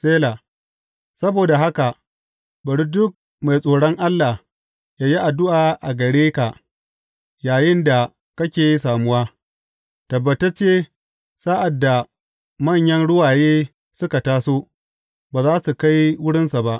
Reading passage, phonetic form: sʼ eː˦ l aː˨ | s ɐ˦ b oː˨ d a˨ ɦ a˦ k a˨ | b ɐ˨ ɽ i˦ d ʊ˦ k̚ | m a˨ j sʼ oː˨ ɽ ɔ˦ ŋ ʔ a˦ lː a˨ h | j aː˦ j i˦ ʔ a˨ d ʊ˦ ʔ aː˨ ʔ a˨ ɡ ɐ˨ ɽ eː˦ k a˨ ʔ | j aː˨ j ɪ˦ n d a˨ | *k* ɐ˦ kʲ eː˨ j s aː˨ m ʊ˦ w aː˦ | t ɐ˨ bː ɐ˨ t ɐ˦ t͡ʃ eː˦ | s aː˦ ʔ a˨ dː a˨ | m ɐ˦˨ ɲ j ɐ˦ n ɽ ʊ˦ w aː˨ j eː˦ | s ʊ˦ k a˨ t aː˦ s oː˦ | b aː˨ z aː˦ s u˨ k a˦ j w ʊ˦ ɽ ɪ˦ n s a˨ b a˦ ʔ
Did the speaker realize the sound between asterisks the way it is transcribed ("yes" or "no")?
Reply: yes